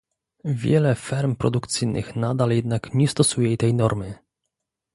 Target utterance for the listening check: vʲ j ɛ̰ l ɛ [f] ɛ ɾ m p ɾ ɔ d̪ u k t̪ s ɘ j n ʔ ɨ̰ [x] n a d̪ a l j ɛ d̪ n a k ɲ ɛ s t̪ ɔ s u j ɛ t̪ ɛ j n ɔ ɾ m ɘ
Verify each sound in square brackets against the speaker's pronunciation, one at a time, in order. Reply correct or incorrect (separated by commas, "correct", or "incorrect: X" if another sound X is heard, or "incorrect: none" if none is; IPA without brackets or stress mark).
correct, correct